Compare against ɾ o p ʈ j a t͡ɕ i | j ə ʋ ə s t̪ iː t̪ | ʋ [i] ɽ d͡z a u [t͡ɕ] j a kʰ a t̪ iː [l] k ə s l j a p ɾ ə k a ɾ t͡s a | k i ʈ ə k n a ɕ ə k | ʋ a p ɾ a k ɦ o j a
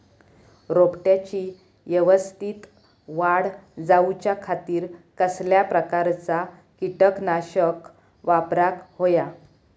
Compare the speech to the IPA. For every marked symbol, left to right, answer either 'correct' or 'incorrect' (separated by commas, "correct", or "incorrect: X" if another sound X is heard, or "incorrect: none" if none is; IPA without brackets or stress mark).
incorrect: a, correct, incorrect: ɾ